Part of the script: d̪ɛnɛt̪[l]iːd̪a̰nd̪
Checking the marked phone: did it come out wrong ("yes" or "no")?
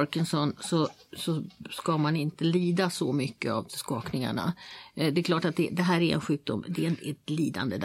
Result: no